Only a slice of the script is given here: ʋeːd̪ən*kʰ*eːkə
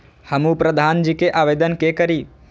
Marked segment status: incorrect: k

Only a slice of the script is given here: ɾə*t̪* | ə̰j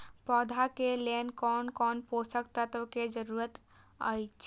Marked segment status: correct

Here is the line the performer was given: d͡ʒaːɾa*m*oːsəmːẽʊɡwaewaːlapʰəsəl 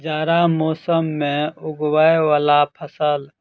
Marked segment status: correct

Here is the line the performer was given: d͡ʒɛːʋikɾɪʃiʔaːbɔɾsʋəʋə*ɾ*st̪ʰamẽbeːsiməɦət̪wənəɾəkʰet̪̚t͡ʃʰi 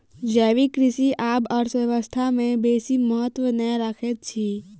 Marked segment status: incorrect: none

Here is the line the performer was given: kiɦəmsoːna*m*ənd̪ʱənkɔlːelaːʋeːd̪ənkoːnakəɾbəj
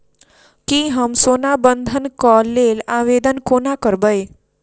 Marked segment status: incorrect: b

